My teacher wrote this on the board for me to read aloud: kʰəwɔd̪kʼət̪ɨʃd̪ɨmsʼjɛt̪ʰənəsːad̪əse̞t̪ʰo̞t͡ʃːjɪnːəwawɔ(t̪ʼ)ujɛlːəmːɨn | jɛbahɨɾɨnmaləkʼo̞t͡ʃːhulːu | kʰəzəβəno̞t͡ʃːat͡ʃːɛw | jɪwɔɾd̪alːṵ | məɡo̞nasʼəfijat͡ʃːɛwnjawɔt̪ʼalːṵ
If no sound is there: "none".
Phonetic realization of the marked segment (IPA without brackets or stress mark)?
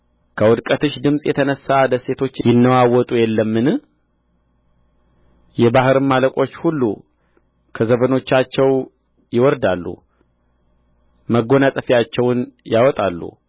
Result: t̪ʼ